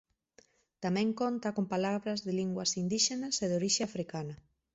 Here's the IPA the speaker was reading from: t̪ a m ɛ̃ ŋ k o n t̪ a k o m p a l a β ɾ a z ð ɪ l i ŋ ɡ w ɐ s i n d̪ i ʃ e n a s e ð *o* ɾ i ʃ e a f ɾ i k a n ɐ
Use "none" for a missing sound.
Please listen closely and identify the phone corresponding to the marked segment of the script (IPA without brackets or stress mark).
o